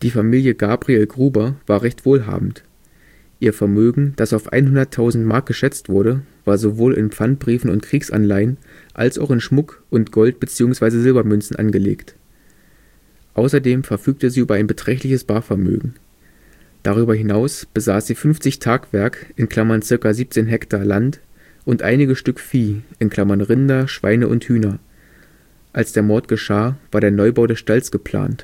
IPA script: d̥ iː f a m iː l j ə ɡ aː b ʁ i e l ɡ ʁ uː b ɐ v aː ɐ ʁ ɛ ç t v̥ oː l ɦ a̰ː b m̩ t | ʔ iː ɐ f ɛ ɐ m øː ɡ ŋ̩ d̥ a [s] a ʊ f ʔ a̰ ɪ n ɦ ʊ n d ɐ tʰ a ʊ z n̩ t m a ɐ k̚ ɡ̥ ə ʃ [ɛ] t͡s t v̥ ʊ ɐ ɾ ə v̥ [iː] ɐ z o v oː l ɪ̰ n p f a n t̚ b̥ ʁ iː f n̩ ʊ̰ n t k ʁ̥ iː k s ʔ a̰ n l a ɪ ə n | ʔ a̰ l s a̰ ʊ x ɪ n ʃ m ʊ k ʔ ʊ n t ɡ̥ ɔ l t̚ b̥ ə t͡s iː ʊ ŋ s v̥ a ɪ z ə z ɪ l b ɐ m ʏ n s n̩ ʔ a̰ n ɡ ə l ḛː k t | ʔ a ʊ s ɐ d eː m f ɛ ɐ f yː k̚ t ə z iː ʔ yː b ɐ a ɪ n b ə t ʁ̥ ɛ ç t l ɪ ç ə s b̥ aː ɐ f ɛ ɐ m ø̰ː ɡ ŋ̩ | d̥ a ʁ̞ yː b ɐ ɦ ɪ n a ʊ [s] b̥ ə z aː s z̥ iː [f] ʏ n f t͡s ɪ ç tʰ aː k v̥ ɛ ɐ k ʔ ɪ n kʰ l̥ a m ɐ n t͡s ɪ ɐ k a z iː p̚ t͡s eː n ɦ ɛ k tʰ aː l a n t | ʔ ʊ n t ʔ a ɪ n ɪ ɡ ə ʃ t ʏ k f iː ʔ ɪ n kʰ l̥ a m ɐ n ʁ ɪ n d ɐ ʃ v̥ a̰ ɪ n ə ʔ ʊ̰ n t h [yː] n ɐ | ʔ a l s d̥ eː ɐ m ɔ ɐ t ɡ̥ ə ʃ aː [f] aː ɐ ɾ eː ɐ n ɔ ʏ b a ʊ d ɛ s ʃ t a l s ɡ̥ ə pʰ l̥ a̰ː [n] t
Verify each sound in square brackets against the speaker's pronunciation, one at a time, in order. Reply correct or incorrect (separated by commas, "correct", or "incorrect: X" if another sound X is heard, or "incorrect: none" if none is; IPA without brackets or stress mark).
correct, correct, incorrect: aː, correct, correct, correct, incorrect: v, correct